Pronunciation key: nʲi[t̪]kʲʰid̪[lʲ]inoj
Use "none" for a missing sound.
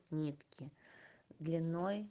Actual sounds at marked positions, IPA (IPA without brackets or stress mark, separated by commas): t̪, lʲ